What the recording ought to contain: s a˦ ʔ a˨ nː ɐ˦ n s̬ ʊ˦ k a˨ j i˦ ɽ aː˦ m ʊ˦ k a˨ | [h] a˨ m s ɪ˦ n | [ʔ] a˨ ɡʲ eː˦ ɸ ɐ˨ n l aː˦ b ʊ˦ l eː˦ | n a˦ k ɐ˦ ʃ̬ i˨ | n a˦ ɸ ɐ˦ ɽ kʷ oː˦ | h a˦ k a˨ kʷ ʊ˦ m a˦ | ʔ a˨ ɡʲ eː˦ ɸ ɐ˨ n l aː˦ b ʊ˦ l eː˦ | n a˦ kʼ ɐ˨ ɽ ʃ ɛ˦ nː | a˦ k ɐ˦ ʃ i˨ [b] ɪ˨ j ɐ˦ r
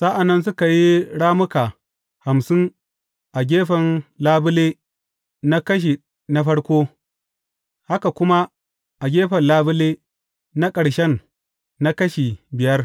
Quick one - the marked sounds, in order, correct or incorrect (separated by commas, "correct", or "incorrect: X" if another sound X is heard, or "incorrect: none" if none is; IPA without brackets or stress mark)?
correct, correct, correct